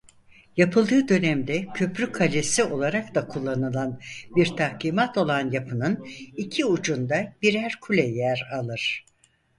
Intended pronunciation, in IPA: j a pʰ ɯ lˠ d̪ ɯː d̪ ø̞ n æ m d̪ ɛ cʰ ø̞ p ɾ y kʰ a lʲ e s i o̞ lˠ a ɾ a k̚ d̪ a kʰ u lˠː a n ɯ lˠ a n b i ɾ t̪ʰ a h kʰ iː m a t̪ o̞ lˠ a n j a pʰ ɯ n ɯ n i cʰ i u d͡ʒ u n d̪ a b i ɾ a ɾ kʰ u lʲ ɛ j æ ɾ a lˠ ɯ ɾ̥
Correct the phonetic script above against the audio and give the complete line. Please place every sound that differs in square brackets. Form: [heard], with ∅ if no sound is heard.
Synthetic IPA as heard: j a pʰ ɯ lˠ d̪ ɯː d̪ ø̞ n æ m d̪ ɛ cʰ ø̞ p ɾ y kʰ a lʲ e s i o̞ lˠ a ɾ a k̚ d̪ a kʰ u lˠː a n ɯ lˠ a n b i ɾ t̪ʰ a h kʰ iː m a t̪ o̞ lˠ a n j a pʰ ɯ n ɯ n i cʰ i u d͡ʒ u n d̪ a b i ɾ [æ] ɾ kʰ u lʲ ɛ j æ ɾ a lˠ ɯ ɾ̥

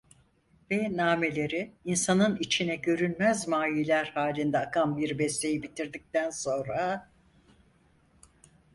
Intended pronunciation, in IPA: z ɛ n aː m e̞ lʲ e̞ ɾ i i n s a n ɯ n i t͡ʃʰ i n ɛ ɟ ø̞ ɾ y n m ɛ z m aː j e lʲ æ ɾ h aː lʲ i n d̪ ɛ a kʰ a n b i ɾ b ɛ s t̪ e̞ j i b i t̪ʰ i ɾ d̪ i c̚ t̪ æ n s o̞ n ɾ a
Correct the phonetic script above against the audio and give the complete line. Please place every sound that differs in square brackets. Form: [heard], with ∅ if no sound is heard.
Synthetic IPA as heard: [v] ɛ n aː m e̞ lʲ e̞ ɾ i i n s a n ɯ n i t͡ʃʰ i n ɛ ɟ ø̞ ɾ y n m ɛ z m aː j [i] lʲ æ ɾ h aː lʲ i n d̪ ɛ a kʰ a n b i ɾ b ɛ s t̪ e̞ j i b i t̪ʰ i ɾ d̪ i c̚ t̪ æ n s o̞ n ɾ a

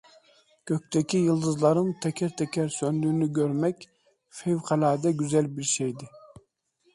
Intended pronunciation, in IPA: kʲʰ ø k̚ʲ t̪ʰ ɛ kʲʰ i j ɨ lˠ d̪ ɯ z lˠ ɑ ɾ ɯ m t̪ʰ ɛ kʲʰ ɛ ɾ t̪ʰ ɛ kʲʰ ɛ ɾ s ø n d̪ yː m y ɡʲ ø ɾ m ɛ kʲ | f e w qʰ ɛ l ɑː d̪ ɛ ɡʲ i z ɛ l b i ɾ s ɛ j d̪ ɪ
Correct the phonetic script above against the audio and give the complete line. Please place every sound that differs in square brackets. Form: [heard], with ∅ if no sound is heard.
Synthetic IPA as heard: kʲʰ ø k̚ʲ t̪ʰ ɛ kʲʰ i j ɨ lˠ d̪ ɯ z lˠ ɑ ɾ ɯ m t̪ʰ ɛ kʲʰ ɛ ɾ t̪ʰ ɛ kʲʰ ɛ ɾ s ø n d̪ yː [n] y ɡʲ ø ɾ m ɛ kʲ | f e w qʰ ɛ l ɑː d̪ ɛ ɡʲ [y] z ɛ l b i ɾ [ʃ] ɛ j d̪ ɪ

